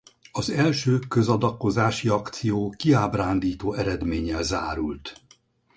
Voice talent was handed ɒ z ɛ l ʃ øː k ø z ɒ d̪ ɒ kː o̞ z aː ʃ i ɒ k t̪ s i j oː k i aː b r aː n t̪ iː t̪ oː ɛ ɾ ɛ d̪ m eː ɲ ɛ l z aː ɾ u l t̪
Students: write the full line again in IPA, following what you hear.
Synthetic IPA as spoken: ɒ z ɛ l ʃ øː k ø z ɒ d̪ ɒ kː o̞ z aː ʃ i ɒ k t̪ s i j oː k i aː b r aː n d̪ iː t̪ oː ɛ ɾ ɛ d̪ m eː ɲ ɛ l z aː ɾ u l t̪